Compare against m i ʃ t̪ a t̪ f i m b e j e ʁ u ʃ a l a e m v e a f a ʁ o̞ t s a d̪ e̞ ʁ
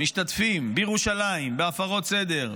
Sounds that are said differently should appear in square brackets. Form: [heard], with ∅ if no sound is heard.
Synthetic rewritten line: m i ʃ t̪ a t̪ f i m b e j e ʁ u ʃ a l a [i] m [b] e a f a ʁ o̞ t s [e] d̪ e̞ ʁ